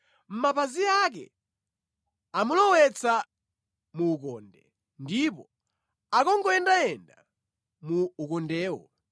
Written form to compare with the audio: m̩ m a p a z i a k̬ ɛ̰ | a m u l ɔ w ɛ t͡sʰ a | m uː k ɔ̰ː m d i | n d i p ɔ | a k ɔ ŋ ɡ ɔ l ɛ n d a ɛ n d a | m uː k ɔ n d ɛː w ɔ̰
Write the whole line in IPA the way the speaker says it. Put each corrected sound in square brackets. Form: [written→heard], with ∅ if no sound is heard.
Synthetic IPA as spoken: m̩ m a p a z i a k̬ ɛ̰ | a m u l ɔ w ɛ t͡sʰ a | m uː k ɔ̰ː [m→n] d [i→ɛ] | n d i p ɔ | a k ɔ ŋ ɡ ɔ [l→∅] ɛ n d a ɛ n d a | m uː k ɔ n d ɛː w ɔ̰